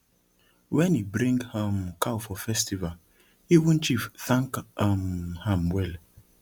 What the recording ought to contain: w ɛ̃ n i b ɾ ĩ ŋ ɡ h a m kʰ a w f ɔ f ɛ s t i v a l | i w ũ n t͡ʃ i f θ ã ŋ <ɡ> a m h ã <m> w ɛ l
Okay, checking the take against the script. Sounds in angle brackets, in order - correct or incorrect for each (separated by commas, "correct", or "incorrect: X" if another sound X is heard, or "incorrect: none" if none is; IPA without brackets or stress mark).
incorrect: k, correct